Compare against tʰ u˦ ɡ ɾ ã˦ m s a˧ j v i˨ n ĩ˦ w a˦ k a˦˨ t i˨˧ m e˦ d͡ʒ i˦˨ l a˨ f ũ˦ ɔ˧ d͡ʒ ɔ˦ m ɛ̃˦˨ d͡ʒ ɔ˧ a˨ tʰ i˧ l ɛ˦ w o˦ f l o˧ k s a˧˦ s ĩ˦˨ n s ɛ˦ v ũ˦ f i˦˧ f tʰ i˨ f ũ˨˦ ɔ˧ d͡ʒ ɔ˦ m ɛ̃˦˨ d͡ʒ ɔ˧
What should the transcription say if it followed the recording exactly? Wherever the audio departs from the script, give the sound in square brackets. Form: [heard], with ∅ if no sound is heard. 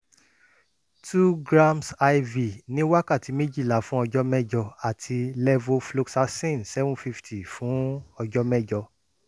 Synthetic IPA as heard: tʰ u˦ ɡ ɾ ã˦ m s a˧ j v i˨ n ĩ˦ w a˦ k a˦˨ t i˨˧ m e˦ d͡ʒ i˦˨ l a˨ f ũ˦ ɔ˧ d͡ʒ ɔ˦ m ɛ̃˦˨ d͡ʒ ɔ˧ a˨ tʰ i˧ l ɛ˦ [v] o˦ f l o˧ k s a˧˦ s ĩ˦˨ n s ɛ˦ v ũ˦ f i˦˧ f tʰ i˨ f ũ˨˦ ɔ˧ d͡ʒ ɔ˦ m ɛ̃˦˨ d͡ʒ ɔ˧